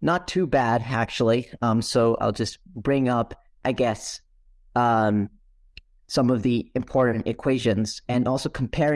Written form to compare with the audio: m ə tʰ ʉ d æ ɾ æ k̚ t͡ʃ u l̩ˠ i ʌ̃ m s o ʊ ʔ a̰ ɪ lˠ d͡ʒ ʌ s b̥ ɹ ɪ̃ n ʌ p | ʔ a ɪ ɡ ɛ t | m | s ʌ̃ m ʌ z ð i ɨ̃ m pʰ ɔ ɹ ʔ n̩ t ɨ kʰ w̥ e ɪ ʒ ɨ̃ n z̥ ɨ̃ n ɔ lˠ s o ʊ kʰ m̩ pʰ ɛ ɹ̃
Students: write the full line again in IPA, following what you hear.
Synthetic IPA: n ə tʰ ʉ b æ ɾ æ k̚ t͡ʃ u l̩ˠ i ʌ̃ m s o ʊ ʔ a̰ ɪ lˠ d͡ʒ ʌ s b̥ ɹ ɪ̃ ŋ ʌ p | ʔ a ɪ ɡ ɛ s | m | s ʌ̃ m ʌ v ð i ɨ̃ m pʰ ɔ ɹ ʔ n̩ t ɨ kʰ w̥ e ɪ ʒ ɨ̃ n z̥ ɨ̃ n ɔ lˠ s o ʊ kʰ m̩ pʰ ɛ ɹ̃